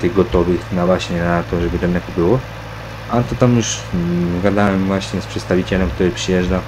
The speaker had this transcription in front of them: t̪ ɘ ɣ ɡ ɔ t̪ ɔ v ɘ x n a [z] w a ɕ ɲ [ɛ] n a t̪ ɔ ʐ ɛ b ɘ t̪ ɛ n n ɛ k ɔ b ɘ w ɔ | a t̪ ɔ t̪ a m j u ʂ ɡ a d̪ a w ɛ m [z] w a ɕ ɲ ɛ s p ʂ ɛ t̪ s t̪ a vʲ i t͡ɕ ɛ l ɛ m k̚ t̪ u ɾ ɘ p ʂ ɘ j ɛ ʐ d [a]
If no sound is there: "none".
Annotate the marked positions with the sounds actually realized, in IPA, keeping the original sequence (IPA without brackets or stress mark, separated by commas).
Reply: v, ɛ, v, a